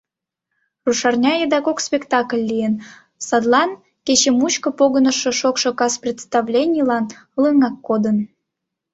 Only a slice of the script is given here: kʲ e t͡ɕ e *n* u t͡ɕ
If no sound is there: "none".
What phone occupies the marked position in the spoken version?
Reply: m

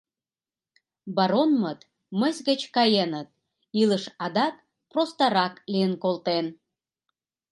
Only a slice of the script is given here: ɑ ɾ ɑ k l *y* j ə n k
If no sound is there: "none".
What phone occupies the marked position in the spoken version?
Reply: i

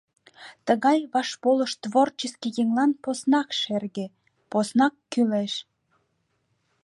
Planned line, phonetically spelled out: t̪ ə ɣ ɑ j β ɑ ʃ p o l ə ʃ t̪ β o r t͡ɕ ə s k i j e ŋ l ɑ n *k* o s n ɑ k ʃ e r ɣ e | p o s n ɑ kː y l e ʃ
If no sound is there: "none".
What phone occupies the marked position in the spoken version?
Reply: p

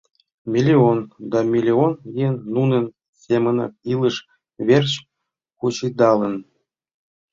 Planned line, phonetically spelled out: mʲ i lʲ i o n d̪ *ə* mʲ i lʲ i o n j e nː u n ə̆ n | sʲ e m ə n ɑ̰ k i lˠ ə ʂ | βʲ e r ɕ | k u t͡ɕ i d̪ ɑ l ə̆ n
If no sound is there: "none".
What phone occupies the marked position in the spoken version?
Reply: ɑ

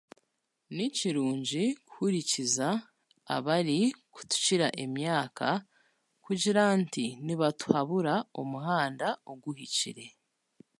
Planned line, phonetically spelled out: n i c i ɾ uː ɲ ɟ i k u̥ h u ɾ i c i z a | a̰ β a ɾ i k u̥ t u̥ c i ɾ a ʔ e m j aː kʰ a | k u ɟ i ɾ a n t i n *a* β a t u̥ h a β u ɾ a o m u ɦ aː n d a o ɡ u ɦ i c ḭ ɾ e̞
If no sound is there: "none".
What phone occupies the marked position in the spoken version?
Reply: i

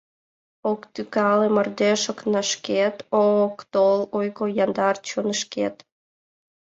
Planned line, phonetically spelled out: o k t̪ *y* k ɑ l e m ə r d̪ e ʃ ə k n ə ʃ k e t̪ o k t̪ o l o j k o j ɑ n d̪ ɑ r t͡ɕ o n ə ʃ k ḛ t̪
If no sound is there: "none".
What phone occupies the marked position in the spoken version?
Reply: y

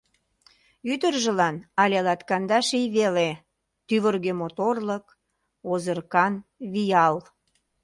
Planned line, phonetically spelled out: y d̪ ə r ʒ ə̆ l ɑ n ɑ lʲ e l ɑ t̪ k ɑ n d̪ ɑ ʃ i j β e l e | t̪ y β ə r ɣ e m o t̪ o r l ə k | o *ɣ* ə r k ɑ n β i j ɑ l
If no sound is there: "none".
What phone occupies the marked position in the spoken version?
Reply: z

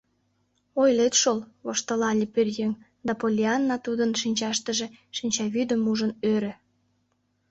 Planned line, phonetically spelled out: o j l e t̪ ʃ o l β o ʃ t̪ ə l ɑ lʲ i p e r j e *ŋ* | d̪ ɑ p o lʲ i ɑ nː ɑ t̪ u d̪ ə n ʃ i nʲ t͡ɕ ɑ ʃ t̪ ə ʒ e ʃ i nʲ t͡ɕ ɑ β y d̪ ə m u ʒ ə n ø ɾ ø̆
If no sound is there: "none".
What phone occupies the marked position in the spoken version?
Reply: ŋ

